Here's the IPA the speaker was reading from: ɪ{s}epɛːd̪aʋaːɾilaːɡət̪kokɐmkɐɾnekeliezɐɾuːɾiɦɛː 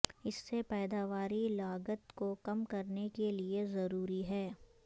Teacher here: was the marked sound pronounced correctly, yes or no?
no